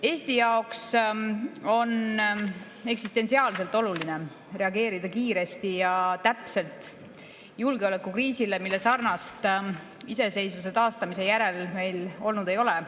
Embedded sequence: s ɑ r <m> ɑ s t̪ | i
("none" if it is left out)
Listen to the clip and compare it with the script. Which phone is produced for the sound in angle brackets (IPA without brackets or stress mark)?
n